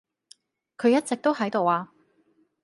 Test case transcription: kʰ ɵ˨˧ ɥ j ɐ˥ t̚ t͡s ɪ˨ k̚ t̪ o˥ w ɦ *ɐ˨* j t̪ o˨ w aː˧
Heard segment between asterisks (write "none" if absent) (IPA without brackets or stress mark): ɐ˨˥